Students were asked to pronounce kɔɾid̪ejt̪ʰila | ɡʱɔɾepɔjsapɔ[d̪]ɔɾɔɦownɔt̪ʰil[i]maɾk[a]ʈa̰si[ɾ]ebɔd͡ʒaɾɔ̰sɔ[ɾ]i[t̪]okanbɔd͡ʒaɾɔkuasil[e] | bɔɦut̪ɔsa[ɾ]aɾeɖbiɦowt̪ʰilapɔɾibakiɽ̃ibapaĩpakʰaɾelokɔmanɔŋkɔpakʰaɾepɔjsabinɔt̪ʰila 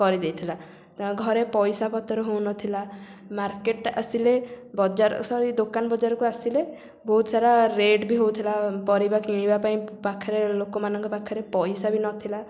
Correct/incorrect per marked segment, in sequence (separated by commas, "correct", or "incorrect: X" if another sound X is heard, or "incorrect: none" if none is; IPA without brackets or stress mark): incorrect: t̪, incorrect: a, incorrect: e, incorrect: l, correct, incorrect: d̪, correct, correct